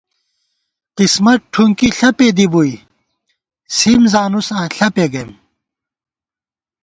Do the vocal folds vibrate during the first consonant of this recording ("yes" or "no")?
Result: no